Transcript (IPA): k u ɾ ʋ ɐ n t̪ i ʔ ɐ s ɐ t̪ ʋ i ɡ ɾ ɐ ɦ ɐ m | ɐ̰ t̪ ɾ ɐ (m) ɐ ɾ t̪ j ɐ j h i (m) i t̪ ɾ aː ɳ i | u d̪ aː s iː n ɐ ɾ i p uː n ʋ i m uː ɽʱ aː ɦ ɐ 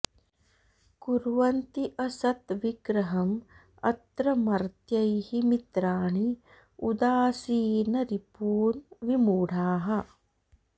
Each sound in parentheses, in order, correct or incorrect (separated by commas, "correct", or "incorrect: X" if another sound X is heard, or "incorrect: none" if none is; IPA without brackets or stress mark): correct, correct